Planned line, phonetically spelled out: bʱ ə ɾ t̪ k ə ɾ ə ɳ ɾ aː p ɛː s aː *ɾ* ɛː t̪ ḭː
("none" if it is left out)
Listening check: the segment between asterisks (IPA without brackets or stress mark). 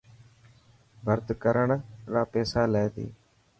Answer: l